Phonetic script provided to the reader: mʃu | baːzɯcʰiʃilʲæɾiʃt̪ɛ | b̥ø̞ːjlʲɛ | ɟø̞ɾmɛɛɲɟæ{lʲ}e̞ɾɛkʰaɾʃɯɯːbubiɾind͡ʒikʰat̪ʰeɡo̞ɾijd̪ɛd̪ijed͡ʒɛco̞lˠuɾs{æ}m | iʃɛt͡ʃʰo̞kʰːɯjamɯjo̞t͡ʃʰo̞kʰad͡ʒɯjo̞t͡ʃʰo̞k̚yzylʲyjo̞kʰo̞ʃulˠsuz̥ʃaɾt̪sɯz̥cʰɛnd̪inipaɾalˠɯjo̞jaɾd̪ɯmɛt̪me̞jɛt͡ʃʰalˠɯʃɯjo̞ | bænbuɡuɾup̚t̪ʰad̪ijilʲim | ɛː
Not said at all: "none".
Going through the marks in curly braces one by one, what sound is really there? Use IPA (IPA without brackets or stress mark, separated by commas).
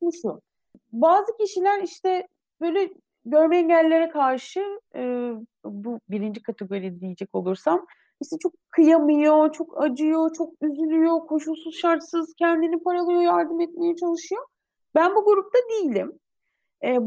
lʲː, a